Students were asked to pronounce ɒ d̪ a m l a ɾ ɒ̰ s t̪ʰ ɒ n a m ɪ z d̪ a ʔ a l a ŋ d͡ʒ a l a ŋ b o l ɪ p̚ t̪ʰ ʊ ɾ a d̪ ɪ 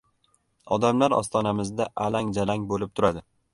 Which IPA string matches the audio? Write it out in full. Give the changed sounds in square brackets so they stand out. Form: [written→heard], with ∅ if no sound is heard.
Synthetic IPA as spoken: ɒ d̪ a m l a ɾ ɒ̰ s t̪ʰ ɒ n a m ɪ z d̪ a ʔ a l a ŋ d͡ʒ a l a ŋ b o l ɪ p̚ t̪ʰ ʊ ɾ a d̪ ɪ